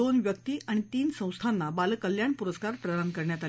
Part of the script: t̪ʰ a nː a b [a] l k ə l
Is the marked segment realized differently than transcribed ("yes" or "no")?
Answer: no